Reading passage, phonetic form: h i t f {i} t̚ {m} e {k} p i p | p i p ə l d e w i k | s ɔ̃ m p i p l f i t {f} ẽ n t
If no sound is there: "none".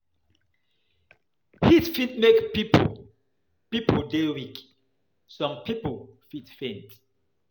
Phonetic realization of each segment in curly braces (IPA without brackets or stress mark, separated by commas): i, m, k, f